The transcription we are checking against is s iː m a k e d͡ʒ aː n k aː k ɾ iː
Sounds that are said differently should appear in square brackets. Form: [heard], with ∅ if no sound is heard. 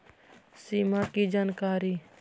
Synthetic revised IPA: s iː m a k [i] d͡ʒ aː n k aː [∅] ɾ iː